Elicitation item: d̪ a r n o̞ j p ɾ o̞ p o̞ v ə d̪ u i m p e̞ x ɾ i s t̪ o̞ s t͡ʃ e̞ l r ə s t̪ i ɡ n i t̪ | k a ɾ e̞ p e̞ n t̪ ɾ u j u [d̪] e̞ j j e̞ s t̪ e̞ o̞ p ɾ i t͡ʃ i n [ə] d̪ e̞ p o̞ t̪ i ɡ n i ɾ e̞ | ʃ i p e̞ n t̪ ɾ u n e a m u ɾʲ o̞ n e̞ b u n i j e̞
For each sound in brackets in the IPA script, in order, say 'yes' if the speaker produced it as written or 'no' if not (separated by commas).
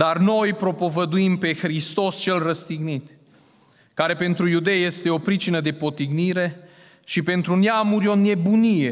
yes, yes